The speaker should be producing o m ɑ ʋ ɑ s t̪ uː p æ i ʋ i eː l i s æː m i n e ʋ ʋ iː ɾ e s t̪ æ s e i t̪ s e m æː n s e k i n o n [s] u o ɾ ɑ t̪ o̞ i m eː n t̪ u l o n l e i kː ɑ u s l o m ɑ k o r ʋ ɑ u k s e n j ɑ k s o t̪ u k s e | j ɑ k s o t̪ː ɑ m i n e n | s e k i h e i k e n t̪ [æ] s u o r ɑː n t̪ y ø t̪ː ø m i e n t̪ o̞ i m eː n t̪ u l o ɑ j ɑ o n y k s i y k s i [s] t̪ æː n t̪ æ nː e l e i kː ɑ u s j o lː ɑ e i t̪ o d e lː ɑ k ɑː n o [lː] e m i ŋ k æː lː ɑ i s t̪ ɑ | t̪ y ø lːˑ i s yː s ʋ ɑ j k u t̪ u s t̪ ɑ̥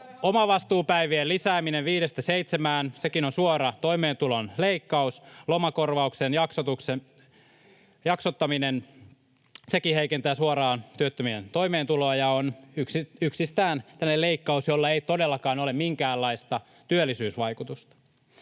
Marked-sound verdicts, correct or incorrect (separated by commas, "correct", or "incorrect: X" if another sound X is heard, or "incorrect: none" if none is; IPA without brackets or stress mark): correct, incorrect: æː, correct, incorrect: l